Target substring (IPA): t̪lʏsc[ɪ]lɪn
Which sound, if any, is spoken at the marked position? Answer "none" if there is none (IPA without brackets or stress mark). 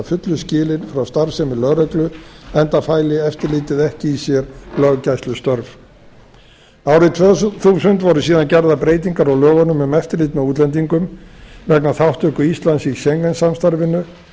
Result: ɪː